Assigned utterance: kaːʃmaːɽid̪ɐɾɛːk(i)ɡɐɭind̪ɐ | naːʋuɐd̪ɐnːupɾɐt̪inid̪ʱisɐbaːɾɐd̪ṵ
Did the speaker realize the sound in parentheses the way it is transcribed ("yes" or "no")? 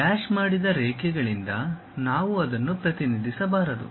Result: no